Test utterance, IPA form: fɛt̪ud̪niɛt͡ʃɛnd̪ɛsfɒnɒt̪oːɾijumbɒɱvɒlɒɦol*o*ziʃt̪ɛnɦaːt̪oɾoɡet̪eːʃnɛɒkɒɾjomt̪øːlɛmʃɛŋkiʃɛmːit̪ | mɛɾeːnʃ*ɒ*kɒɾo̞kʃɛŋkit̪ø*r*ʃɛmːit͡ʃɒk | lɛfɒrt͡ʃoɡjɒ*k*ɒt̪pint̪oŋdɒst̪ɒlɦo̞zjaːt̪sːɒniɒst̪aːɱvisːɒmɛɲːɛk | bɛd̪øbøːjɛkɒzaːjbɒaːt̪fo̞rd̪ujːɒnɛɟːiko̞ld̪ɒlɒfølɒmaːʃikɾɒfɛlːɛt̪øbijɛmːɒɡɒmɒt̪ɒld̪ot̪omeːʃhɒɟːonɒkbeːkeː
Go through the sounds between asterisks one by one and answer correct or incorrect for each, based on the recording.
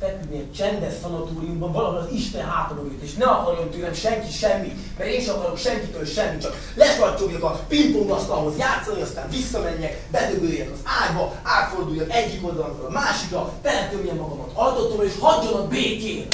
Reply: incorrect, correct, incorrect, correct

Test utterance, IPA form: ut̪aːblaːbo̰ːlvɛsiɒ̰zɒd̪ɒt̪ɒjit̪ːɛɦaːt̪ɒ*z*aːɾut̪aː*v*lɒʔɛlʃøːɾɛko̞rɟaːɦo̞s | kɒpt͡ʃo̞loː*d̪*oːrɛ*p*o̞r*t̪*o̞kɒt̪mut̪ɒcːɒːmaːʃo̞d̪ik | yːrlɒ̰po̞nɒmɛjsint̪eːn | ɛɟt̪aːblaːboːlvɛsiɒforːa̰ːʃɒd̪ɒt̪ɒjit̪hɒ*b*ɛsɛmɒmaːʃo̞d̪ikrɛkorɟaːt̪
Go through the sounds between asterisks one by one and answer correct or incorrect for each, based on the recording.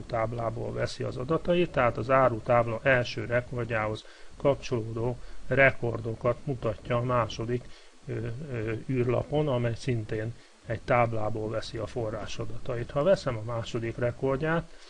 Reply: correct, incorrect, correct, incorrect, incorrect, incorrect

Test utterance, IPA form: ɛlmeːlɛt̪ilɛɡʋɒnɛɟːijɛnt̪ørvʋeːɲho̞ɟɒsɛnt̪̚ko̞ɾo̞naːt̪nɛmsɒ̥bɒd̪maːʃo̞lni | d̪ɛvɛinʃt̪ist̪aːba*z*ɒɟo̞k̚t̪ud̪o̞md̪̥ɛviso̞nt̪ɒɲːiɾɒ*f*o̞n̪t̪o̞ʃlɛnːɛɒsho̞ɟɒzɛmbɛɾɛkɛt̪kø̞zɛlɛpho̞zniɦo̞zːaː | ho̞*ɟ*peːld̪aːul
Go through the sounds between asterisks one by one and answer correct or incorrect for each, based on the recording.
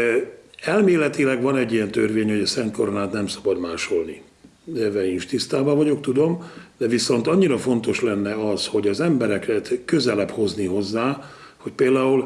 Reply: incorrect, correct, incorrect

